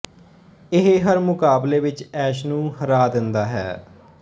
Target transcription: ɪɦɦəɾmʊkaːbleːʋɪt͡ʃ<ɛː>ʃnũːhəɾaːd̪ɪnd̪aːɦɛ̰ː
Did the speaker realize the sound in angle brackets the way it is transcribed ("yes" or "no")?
yes